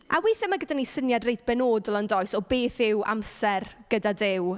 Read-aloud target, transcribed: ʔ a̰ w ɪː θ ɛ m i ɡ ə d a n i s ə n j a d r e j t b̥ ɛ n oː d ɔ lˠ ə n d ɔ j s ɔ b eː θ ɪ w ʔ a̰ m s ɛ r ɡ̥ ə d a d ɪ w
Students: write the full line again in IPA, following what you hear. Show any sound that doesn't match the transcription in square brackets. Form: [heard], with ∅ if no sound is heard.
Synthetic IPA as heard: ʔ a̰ w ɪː θ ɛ m [a] ɡ ə d a n i s ə n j a d r e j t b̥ ɛ n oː d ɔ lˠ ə n d ɔ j s ɔ b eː θ ɪ w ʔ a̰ m s ɛ r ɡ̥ ə d a d ɪ w